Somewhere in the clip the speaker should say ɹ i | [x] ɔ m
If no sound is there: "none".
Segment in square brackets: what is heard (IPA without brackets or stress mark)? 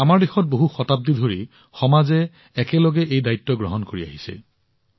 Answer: x